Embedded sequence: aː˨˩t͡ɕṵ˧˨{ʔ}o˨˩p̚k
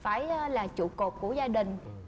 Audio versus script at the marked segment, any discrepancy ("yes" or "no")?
yes